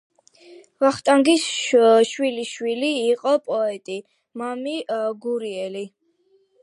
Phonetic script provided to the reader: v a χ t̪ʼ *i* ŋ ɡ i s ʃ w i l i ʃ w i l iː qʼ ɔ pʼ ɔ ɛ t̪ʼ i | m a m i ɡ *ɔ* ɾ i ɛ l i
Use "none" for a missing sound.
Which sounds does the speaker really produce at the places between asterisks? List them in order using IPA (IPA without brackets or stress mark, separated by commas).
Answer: a, u